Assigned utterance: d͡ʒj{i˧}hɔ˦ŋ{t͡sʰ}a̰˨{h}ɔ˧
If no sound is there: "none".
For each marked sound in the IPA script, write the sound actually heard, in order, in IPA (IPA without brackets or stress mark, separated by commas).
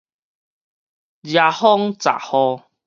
a˧, t͡s, h